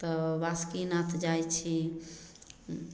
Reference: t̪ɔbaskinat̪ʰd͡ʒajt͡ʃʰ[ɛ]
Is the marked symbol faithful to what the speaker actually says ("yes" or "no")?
no